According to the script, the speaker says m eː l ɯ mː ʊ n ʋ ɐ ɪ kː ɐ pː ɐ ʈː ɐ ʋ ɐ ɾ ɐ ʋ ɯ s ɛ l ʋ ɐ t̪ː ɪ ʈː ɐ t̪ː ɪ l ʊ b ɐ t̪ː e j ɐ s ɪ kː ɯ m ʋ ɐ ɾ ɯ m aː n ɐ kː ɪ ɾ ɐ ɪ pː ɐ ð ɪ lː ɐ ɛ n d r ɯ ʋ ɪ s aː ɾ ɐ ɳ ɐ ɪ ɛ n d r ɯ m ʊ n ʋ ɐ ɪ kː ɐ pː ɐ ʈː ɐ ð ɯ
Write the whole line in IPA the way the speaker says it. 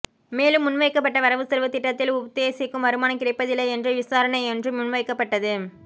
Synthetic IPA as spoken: m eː l ɯ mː ʊ n ʋ ɐ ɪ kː ɐ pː ɐ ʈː ɐ ʋ ɐ ɾ ɐ ʋ ɯ s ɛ l ʋ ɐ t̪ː ɪ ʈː ɐ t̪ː ɪ l ʊ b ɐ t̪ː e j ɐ s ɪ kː ɯ m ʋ ɐ ɾ ɯ m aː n ɐ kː ɪ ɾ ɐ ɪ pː ɐ ð ɪ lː ɐ ɛ n d r ɯ ʋ ɪ s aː ɾ ɐ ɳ ɐ ɪ ɛ n d r ɯ m ʊ n ʋ ɐ ɪ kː ɐ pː ɐ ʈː ɐ ð ɯ